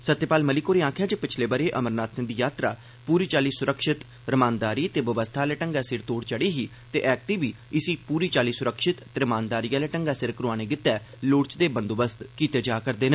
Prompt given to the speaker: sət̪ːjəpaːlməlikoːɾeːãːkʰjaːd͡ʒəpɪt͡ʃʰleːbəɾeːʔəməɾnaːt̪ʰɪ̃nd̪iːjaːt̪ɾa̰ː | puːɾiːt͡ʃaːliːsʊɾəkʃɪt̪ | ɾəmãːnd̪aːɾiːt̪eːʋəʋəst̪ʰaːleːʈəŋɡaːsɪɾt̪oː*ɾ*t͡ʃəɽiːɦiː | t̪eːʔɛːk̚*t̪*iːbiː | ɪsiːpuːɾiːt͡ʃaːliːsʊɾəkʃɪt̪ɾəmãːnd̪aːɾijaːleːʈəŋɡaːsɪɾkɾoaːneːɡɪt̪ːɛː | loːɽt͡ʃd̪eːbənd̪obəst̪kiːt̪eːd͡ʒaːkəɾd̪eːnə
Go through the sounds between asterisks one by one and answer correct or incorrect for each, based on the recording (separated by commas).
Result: incorrect, correct